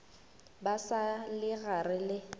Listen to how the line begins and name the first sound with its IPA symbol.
b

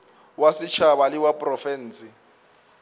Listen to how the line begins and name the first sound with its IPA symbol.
w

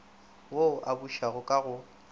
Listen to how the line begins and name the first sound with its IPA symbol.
w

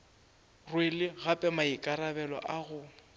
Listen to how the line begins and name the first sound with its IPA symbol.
r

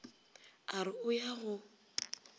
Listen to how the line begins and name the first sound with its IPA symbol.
a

